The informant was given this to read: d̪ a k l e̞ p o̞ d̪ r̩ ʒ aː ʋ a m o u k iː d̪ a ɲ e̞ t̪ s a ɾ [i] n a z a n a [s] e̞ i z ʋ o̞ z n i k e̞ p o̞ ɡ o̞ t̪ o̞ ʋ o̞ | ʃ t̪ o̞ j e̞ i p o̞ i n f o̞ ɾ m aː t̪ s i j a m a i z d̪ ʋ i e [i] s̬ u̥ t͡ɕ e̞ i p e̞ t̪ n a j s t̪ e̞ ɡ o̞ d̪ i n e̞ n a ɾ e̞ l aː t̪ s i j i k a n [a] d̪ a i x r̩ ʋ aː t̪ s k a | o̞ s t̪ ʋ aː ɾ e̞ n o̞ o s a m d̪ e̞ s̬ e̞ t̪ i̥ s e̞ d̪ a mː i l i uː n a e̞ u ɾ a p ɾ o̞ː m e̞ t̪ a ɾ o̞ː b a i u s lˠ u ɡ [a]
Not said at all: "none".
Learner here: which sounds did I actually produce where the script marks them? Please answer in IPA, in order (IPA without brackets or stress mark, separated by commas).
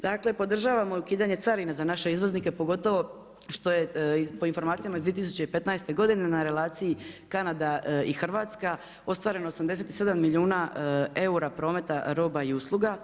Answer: i, ʃ, i, a, a